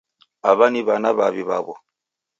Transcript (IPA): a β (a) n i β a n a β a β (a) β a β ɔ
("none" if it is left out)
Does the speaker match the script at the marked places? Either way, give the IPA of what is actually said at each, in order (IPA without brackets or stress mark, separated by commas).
a, i